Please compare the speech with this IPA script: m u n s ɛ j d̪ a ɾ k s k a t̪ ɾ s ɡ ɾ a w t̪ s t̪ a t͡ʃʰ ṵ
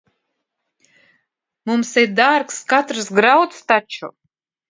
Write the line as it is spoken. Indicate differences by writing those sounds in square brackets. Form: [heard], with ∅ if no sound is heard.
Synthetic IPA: m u [m] s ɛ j d̪ a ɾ k s k a t̪ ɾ s ɡ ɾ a w t̪ s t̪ a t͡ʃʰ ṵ